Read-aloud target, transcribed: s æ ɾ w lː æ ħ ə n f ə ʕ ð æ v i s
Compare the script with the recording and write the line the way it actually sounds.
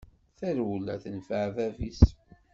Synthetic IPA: θ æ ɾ w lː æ θ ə n f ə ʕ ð æ v i s